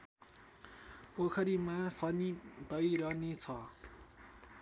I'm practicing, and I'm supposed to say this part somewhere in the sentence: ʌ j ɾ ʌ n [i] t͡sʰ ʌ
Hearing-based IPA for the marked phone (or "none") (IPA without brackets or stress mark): e